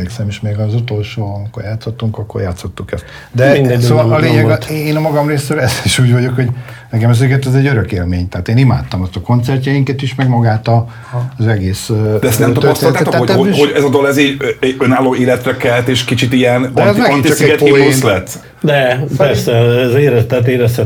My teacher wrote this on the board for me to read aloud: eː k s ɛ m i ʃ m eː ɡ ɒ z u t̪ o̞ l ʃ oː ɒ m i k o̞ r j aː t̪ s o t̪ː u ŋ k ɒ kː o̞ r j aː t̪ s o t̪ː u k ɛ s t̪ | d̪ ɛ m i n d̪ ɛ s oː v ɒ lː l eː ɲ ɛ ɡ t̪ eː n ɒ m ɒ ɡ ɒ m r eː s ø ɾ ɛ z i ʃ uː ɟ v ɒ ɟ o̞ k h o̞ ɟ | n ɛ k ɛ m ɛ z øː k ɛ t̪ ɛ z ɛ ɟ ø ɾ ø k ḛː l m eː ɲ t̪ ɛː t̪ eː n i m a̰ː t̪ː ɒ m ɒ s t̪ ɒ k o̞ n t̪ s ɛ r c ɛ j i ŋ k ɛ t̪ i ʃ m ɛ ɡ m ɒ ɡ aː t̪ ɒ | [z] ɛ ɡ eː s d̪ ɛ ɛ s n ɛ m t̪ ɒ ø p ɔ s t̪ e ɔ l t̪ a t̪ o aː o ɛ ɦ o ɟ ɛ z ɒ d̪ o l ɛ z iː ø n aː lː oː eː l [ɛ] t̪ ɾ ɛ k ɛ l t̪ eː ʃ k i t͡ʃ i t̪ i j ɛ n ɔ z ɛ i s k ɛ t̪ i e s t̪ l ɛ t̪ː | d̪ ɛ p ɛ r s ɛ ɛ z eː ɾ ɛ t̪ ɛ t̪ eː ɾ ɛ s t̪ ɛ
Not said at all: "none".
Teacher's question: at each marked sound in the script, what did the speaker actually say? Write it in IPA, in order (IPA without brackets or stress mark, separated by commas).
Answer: z, ɛ